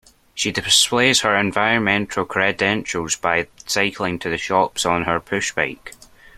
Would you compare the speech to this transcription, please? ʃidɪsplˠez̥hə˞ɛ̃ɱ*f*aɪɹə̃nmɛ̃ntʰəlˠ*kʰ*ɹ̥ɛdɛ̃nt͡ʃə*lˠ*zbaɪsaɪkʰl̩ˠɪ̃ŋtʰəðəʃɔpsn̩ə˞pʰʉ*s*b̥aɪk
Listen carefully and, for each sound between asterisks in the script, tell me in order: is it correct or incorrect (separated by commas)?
incorrect, correct, correct, incorrect